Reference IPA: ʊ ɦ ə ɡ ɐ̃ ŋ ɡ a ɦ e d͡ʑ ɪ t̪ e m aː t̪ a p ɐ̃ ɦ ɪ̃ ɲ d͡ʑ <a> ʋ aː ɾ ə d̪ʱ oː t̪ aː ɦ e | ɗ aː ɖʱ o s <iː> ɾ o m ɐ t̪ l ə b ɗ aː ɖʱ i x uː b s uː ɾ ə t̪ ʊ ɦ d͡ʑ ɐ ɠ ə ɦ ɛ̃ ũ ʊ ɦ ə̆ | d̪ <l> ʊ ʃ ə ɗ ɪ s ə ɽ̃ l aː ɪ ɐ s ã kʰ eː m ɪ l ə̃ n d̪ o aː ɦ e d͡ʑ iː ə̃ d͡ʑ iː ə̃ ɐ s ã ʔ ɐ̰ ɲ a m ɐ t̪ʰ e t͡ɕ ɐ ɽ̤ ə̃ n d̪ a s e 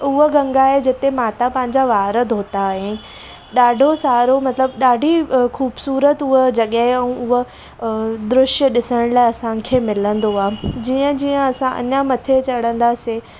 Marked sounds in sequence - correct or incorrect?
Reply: correct, incorrect: aː, incorrect: ɾ

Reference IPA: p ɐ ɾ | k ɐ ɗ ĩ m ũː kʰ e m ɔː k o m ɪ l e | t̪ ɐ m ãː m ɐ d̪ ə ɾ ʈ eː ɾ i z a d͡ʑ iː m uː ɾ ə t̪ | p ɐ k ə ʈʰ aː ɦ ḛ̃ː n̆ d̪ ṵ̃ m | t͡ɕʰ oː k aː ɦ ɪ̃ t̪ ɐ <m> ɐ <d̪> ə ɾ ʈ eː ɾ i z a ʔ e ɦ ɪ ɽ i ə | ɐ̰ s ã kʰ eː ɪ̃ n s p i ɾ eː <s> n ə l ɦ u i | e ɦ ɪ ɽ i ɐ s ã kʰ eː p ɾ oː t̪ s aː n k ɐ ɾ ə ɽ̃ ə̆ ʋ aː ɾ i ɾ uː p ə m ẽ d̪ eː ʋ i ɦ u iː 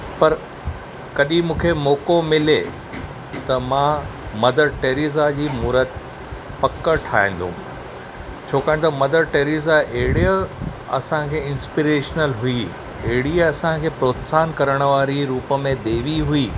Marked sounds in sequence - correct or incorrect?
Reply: correct, correct, incorrect: ʃ

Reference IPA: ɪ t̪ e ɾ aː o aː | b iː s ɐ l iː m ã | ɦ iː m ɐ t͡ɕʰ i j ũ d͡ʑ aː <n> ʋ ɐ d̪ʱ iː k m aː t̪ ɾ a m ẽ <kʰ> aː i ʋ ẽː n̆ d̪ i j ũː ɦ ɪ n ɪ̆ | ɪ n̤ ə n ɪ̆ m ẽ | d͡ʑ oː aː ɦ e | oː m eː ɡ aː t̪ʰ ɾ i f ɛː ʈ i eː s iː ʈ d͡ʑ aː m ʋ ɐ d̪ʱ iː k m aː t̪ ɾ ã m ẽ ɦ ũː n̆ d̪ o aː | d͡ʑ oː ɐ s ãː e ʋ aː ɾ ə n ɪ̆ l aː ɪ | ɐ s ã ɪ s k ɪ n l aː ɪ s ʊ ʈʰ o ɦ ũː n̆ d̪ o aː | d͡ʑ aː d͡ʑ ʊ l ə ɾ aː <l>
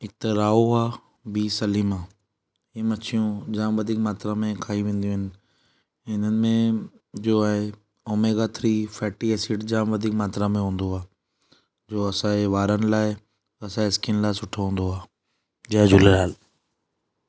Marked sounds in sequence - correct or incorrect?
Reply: incorrect: m, correct, correct

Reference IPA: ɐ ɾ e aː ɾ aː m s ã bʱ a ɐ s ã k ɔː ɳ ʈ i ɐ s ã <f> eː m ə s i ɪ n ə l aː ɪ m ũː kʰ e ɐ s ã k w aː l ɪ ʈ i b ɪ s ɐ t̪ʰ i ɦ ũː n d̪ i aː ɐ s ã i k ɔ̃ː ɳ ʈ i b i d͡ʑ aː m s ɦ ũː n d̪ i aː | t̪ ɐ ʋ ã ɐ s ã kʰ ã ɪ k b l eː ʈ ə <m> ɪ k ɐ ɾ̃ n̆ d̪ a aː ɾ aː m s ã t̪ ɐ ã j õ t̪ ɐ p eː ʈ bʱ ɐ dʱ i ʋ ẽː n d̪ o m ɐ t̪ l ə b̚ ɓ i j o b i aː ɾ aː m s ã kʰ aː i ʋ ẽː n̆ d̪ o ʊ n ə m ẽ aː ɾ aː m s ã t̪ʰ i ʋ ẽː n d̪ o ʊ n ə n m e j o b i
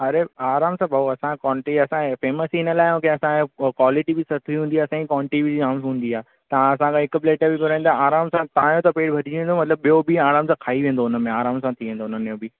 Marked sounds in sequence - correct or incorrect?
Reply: correct, incorrect: b

